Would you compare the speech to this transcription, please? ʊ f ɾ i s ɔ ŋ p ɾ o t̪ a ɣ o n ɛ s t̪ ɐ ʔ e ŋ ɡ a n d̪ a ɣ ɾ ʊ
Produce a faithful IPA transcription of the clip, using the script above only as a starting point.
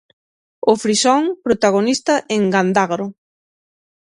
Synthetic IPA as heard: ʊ f ɾ i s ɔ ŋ p ɾ o t̪ a ɣ o n i s t̪ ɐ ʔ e ŋ ɡ a n d̪ a ɣ ɾ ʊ